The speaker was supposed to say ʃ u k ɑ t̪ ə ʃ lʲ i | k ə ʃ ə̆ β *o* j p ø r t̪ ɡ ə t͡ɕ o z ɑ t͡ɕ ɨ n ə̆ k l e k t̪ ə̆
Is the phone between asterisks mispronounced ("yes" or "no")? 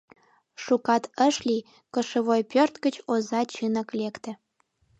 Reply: no